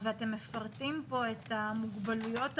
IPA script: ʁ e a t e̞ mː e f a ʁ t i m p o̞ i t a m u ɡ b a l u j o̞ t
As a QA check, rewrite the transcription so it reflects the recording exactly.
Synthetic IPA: v e a t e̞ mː e f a ʁ t i m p o̞ e t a m u ɡ b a l u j o̞ t